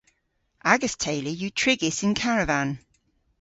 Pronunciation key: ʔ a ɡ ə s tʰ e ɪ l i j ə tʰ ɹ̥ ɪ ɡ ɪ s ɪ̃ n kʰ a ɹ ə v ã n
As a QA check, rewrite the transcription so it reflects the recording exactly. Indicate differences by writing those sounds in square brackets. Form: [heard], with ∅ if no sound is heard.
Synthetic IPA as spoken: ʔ a ɡ ə s tʰ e ɪ l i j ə tʰ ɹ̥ ɪ ɡ ɪ s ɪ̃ n kʰ a ɹ ə v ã n